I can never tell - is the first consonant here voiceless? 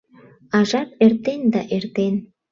no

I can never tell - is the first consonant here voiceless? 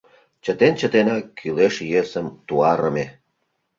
yes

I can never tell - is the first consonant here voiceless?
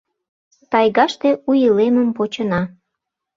yes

